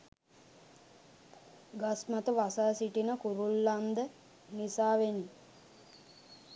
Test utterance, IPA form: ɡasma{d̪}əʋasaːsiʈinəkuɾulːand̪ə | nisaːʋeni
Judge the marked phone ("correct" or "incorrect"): incorrect